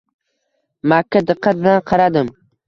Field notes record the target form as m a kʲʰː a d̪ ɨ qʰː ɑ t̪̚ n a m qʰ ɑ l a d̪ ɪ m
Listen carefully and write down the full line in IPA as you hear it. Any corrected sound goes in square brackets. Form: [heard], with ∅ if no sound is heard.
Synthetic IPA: m a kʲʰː a d̪ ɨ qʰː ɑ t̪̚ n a [n] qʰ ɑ [ɾ] a d̪ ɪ m